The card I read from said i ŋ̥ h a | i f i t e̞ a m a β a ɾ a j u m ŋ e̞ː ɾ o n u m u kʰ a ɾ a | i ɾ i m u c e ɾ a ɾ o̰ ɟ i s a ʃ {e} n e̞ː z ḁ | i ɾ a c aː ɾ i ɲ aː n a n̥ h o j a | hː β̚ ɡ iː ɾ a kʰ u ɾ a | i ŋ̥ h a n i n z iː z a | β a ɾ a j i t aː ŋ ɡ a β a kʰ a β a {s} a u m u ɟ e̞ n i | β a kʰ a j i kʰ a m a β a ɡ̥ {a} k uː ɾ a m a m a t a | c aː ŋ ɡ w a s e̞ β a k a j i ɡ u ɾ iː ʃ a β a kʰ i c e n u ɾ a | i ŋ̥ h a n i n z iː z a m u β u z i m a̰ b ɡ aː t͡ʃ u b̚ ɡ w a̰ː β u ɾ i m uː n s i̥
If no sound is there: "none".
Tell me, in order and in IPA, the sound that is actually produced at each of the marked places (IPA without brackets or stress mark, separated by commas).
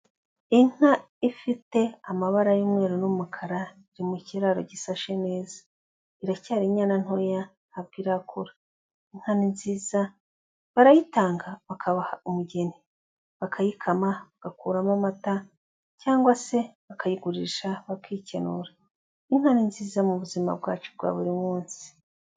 e, h, a